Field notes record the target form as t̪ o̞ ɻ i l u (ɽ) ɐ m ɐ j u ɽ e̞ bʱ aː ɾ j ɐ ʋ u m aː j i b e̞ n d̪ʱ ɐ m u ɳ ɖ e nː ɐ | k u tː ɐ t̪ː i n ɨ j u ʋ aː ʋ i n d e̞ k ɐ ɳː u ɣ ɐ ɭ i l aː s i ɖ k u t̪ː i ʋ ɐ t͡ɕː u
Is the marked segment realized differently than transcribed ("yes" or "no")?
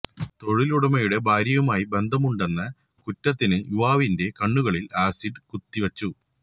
no